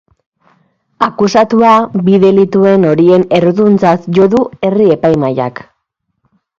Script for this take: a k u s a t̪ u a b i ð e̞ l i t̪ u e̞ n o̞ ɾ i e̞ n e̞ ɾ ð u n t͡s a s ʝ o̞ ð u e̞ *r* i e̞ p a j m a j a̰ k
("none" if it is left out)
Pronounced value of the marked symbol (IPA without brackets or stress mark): r